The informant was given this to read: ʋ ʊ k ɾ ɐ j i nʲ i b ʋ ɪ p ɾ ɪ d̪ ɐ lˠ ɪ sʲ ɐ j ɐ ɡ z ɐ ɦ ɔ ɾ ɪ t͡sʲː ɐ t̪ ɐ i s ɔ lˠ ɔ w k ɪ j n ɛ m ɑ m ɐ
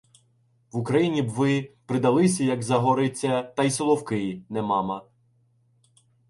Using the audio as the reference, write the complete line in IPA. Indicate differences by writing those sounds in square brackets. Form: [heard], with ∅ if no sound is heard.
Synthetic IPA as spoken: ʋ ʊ k ɾ ɐ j i nʲ i b ʋ ɪ p ɾ ɪ d̪ ɐ lˠ ɪ sʲ ɐ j ɐ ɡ z ɐ ɦ ɔ ɾ ɪ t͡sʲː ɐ t̪ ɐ [j] s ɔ lˠ ɔ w k ɪ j n ɛ m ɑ m ɐ